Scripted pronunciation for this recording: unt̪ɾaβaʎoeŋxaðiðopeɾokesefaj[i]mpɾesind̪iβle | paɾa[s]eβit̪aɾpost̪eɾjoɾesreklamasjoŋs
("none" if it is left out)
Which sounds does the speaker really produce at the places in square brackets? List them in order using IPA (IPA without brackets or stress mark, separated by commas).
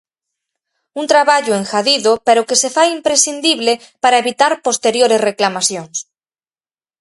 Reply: i, none